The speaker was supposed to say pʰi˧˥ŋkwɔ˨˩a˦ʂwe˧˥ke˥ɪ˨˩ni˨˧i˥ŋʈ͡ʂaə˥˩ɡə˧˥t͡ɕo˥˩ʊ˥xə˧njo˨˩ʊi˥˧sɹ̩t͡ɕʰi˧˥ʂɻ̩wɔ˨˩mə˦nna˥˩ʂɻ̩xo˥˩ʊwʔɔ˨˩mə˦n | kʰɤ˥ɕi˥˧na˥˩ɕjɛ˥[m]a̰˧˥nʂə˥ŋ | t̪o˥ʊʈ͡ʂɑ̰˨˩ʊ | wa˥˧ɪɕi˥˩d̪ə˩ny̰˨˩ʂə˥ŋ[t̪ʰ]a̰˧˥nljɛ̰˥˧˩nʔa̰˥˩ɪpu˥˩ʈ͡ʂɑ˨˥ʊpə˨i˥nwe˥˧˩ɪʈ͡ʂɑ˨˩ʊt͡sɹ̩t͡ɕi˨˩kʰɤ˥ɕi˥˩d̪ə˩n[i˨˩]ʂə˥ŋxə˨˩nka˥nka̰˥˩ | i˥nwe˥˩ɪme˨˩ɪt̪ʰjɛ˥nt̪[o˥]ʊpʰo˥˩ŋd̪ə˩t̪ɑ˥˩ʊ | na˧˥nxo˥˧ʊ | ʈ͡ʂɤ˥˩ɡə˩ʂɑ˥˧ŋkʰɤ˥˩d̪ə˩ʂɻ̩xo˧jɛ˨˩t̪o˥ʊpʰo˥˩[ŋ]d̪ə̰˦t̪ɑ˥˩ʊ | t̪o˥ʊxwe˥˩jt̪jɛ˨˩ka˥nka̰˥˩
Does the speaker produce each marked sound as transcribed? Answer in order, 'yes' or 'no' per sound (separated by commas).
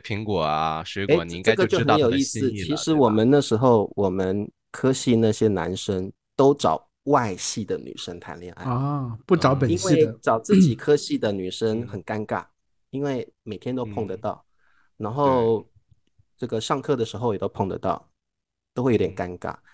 no, yes, no, yes, yes